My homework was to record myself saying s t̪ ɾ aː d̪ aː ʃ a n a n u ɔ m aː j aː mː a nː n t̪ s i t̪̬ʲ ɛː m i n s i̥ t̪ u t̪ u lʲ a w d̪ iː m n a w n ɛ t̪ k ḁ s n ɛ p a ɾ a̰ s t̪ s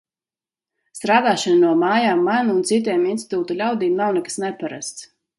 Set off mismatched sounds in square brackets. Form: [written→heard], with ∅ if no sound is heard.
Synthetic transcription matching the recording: s t̪ ɾ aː d̪ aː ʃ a n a n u ɔ m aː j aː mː a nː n t̪ s i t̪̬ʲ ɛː m i n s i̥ t̪ [u→uː] t̪ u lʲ a w d̪ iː m n a w n ɛ [t̪→∅] k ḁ s n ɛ p a ɾ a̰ s t̪ s